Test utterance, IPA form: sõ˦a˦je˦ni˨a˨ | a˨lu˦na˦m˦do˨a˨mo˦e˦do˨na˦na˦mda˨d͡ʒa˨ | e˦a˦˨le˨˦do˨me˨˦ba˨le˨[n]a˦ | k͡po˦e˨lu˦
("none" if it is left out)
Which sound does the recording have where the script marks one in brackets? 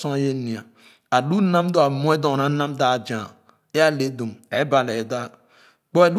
d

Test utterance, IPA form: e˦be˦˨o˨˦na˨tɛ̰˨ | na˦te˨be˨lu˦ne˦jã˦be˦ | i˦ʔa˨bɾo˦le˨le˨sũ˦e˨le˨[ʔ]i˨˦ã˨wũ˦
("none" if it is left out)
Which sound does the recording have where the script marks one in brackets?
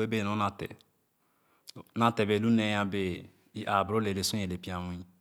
p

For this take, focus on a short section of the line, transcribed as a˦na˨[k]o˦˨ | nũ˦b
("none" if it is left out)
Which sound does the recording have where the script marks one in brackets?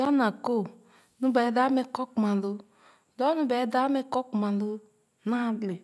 k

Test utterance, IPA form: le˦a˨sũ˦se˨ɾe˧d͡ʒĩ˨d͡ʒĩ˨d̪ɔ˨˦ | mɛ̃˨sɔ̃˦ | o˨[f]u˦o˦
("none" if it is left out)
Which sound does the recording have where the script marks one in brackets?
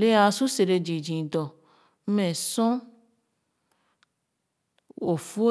f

